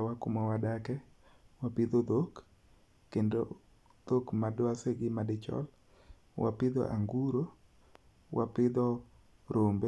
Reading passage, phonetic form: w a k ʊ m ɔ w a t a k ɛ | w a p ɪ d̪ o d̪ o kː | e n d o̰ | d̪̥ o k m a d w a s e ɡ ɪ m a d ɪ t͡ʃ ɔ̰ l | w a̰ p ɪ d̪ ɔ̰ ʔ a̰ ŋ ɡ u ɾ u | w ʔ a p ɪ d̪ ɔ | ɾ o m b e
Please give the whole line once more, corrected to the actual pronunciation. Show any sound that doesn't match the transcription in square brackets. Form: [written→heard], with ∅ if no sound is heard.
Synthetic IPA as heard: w a k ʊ m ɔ w a [t→d] a k ɛ | w a p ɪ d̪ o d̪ o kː | e n d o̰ | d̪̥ o k m a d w a s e ɡ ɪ m a d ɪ t͡ʃ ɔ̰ l | w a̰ p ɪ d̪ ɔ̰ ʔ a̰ ŋ ɡ u ɾ [u→o] | w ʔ a p ɪ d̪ ɔ | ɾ o m b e